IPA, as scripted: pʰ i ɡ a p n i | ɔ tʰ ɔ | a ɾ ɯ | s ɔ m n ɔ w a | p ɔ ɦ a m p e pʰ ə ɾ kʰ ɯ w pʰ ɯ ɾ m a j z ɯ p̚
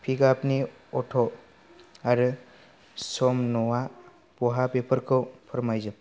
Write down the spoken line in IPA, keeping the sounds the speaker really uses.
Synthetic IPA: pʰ i ɡ a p n i | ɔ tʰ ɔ | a ɾ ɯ | s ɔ m n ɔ w a | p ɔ ɦ a p e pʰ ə ɾ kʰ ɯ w pʰ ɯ ɾ m a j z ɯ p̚

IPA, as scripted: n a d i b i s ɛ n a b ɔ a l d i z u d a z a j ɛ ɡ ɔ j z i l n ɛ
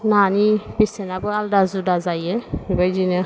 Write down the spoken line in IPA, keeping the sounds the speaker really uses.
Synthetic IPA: n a n i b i s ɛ n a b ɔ a l d a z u d a z a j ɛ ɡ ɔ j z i n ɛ

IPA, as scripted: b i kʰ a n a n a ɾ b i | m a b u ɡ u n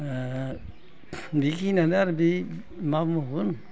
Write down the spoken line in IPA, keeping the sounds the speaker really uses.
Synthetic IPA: b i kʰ i n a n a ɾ b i | m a m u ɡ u n

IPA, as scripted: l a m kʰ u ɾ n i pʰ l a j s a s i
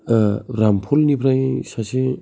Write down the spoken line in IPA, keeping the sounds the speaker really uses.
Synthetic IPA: ɾ a m pʰ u l n i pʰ ɾ a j s a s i

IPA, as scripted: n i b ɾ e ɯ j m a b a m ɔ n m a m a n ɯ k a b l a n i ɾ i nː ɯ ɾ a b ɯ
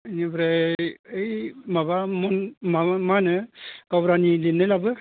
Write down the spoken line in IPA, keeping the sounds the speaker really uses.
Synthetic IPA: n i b ɾ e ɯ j m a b a m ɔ n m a m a n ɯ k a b ɾ a n i l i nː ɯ l a b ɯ

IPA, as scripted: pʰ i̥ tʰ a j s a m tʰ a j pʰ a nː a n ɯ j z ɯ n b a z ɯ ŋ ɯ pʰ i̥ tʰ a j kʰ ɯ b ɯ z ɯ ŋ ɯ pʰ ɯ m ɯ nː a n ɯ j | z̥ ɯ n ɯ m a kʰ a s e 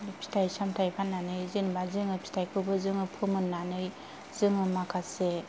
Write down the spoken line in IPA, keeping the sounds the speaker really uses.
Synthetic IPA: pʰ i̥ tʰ a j s a m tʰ a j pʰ a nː a n ɯ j z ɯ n b a z ɯ ŋ ɯ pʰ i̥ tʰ a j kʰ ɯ b ɯ z ɯ ŋ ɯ pʰ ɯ m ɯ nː a n ɯ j | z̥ ɯ ŋ ɯ m a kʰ a s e

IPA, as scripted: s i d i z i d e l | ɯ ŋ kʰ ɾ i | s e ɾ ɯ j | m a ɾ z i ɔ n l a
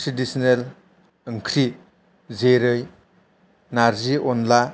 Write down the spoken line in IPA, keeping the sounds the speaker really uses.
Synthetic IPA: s i d i s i n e l | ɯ ŋ kʰ ɾ i | z e ɾ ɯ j | n a ɾ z i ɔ n l a

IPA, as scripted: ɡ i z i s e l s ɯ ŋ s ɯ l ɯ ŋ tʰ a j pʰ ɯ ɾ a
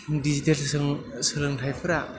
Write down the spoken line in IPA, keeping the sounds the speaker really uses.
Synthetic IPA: d i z i t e l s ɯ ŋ s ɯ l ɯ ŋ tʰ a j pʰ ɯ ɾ a

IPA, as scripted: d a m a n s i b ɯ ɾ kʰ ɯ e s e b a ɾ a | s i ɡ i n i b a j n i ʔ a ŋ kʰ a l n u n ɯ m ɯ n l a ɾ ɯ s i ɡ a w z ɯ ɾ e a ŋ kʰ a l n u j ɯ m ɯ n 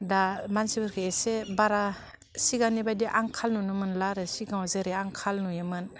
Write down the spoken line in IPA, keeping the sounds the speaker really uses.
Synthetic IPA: d a m a n s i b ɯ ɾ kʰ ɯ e s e b a ɾ a | s i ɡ a n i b a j d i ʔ a ŋ kʰ a l n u n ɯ m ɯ n l a ɾ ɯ s i ɡ a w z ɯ ɾ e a ŋ kʰ a l n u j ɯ m ɯ n

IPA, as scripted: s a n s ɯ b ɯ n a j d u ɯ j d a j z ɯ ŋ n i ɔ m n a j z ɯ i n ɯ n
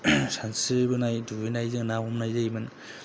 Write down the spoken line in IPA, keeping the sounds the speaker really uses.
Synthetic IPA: s a n s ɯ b ɯ n a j d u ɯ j n a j z ɯ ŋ n a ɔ m n a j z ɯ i m ɯ n

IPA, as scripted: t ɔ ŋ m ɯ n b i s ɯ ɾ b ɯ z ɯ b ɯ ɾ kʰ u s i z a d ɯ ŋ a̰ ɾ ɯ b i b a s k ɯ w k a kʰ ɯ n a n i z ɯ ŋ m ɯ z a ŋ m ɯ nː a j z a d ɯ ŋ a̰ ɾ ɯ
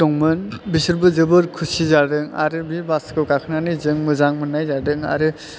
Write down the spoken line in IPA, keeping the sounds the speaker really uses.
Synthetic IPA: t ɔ ŋ m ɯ n b i s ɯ ɾ b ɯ z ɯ b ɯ ɾ kʰ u s i z a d ɯ ŋ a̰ ɾ ɯ b i b a s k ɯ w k a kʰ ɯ n a n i z ɯ ŋ m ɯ z a ŋ m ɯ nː a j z a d ɯ ŋ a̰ ɾ ɯ

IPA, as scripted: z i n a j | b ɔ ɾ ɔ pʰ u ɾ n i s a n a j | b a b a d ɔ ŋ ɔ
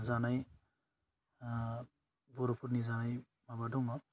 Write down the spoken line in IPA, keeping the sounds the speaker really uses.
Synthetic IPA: z a n a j | b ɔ ɾ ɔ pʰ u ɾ n i z a n a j | m a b a d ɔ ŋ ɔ

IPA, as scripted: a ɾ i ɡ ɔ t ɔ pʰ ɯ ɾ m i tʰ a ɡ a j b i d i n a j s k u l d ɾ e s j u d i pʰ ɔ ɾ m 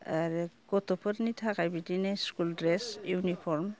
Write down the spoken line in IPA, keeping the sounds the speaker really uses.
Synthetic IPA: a ɾ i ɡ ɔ t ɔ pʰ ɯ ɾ n i tʰ a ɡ a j b i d i n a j s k u l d ɾ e s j u n i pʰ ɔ ɾ m

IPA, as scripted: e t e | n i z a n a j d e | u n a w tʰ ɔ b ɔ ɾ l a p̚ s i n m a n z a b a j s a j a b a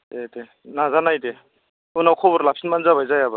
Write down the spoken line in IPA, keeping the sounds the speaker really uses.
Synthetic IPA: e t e | n a z a n a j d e | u n a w kʰ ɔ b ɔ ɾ l a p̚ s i n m a n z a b a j z a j a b a

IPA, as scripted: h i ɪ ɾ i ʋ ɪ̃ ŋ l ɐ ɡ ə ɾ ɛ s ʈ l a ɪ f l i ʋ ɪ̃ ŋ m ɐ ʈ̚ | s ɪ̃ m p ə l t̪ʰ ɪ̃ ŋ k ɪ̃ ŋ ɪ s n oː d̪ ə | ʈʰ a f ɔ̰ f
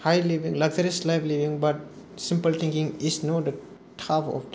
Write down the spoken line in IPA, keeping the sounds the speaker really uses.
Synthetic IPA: h a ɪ l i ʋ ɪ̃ ŋ l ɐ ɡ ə ɾ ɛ s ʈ l a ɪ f l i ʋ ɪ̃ ŋ b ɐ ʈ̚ | s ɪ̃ m p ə l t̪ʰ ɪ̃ ŋ k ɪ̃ ŋ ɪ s n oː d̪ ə | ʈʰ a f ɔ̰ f

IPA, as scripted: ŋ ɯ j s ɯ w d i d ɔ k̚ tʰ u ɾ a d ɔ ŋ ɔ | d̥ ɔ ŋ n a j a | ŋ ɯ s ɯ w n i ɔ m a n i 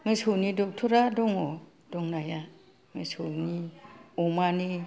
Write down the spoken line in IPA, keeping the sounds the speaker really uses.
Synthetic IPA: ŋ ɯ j s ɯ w n i d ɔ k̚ tʰ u ɾ a d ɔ ŋ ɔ | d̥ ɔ ŋ n a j a | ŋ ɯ s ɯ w n i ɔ m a n i

